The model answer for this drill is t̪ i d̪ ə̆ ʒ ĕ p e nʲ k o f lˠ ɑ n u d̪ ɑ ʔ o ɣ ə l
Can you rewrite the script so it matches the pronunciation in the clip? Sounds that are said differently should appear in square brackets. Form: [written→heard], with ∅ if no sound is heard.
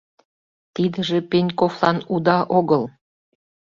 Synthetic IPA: t̪ i d̪ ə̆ ʒ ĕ p e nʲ k o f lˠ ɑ n u d̪ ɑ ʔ o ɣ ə l